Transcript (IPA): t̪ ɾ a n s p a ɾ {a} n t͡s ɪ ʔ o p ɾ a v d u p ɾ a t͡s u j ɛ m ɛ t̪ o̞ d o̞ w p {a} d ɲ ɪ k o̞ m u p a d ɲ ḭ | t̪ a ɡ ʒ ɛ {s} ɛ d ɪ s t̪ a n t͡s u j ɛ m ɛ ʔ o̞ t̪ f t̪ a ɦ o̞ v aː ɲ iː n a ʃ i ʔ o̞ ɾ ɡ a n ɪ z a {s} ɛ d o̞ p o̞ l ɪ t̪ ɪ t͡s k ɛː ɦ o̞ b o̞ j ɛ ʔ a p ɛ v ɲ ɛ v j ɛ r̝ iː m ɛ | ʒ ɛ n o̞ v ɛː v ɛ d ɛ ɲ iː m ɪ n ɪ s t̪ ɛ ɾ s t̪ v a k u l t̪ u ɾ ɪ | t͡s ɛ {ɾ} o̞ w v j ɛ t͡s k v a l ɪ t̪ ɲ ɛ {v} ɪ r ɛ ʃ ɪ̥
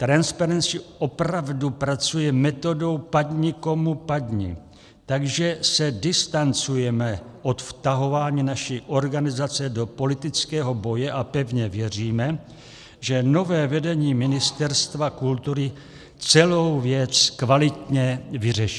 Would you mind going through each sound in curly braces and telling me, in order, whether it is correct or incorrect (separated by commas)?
incorrect, correct, correct, incorrect, incorrect, correct